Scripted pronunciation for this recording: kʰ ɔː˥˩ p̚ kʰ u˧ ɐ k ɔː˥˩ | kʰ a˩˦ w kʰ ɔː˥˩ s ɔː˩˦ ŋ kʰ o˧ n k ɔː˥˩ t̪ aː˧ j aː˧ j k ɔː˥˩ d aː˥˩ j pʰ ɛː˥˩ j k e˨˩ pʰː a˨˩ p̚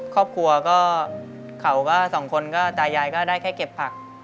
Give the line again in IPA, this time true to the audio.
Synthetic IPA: kʰ ɔː˥˩ p̚ kʰ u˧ ɐ k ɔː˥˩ | kʰ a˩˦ w k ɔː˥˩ s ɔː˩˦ ŋ kʰ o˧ n k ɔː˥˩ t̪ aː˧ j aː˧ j k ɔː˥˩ d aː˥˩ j kʰ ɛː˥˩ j k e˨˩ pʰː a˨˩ k̚

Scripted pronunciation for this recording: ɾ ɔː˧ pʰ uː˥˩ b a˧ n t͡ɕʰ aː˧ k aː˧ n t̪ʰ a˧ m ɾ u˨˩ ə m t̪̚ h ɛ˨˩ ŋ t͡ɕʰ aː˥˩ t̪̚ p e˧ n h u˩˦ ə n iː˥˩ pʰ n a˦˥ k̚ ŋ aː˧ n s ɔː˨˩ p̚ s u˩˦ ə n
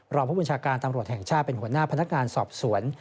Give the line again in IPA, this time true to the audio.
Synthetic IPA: ɾ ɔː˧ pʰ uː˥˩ b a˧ n t͡ɕʰ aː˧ k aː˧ n t̪ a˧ m ɾ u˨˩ ə t̪̚ h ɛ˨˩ ŋ t͡ɕʰ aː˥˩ t̪̚ p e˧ n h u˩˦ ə n aː˥˩ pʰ n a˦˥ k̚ ŋ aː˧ n s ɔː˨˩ p̚ s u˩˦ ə n

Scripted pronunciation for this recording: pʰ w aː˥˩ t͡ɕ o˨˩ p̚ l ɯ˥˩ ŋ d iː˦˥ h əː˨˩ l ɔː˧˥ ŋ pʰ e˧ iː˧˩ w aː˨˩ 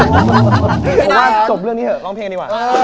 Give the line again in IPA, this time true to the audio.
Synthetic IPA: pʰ w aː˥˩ t͡ɕ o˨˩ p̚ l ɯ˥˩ ŋ n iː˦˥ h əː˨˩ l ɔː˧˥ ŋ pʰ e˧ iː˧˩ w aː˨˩

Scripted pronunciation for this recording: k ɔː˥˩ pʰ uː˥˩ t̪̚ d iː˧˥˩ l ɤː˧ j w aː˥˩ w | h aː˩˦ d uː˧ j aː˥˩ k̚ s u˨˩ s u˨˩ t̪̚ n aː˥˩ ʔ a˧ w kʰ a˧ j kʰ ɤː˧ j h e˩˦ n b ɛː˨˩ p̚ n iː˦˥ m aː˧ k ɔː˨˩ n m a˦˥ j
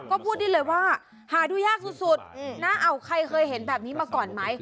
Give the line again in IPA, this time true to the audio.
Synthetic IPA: k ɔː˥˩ pʰ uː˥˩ t̪̚ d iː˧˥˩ l ɤː˧ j w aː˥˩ | h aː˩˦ d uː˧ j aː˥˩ k̚ s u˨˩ s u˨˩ t̪̚ n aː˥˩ ʔ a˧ w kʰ a˧ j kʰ ɤː˧ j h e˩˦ n b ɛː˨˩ p̚ n iː˦˥ m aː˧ k ɔː˨˩ n m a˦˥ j

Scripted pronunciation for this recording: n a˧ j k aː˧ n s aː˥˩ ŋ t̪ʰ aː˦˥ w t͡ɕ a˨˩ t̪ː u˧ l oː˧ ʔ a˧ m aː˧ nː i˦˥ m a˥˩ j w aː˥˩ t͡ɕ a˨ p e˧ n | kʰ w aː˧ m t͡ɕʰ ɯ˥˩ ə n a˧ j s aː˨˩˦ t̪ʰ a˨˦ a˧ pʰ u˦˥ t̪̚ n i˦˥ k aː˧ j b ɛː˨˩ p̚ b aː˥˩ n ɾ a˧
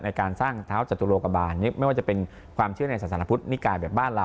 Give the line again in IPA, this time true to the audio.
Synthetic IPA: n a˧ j k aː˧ n s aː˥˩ ŋ t̪ʰ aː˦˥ w t͡ɕ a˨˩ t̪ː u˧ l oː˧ k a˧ b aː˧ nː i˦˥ m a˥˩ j w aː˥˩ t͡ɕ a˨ p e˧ n | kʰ w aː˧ m t͡ɕʰ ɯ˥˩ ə n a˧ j s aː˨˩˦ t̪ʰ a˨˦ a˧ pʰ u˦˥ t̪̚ n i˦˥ k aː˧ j b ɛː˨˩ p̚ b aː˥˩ n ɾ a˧

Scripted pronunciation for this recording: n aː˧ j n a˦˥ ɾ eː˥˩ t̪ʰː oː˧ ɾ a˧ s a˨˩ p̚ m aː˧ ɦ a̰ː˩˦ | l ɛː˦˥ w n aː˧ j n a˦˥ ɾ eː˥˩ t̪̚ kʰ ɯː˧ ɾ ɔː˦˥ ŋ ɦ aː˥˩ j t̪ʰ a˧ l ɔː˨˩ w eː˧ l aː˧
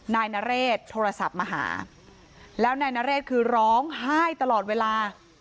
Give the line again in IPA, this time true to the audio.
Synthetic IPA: n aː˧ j n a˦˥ ɾ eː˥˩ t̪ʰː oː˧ ɾ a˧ s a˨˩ p̚ m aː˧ ɦ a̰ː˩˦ | l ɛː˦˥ w n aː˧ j n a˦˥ ɾ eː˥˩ t̪̚ kʰ ɯː˧ ɾ ɔː˦˥ ŋ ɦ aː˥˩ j t̪ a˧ l ɔː˨˩ w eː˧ l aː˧

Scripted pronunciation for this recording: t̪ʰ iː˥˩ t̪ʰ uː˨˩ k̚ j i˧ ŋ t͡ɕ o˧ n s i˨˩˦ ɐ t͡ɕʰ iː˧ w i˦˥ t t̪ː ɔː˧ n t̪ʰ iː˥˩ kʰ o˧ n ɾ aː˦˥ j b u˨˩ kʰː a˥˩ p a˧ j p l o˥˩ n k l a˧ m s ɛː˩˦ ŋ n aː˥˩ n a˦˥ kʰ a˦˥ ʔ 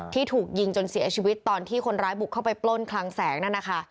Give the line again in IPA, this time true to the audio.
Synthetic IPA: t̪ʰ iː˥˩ t̪ʰ uː˨˩ k̚ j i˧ ŋ t͡ɕ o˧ n s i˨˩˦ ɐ t͡ɕʰ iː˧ w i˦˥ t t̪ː ɔː˧ n t̪ʰ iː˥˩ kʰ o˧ n ɾ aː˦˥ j b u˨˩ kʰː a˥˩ p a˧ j p l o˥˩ n kʰ l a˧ ŋ s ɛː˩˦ ŋ n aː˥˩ n a˦˥ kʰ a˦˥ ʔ

